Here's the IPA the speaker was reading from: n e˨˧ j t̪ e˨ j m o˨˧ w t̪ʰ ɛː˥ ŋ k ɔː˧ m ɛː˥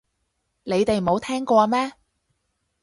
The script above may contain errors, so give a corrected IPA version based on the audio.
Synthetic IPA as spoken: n e˨˧ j t̪ e˨ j m o˨˧ w t̪ʰ ɛː˥ ŋ k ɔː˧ m ɛː˥